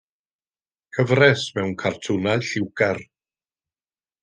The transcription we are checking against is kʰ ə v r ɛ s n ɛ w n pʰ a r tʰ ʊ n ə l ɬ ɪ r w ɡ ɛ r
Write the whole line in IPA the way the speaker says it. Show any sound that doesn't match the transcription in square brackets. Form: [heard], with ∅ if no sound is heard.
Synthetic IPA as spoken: kʰ ə v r ɛ s [m] ɛ w n [kʰ] a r tʰ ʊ n [a] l ɬ ɪ [∅] w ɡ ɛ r